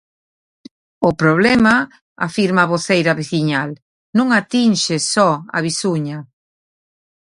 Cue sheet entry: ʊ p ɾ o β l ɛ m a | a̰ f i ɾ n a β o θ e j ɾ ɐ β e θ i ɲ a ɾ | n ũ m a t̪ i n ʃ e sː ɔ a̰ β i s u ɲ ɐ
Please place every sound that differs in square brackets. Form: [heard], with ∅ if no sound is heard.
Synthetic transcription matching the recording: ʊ p ɾ o β l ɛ m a | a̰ f i ɾ [m] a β o θ e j ɾ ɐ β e θ i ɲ a [l] | n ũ [ŋ] a t̪ i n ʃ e [s] ɔ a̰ β i s u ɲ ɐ